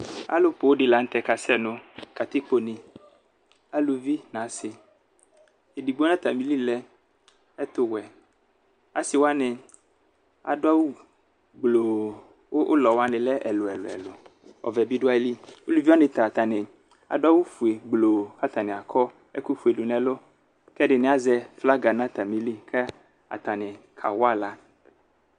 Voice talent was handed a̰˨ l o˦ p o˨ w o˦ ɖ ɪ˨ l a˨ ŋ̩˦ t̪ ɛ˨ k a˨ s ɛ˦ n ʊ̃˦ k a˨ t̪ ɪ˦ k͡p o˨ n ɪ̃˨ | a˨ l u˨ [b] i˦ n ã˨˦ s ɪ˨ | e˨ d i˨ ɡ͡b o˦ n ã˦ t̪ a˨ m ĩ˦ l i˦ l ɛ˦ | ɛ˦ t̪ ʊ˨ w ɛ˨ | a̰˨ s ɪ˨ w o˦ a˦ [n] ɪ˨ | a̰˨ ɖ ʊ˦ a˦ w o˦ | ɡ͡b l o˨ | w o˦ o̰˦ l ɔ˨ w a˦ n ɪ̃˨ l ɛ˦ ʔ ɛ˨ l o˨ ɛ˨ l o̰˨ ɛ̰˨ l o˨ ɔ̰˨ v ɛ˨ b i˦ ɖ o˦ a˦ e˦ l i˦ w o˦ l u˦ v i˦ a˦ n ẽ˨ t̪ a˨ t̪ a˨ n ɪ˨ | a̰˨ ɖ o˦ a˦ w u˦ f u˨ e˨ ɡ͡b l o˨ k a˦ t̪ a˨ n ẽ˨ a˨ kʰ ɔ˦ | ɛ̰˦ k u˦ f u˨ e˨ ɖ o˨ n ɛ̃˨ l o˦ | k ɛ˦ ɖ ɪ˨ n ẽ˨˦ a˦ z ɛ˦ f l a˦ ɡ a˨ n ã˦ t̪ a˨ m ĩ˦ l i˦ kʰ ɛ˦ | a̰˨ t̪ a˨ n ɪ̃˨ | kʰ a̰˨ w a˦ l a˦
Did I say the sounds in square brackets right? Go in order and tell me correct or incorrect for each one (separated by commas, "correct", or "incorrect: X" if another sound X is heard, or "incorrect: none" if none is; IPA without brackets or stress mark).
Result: incorrect: v, correct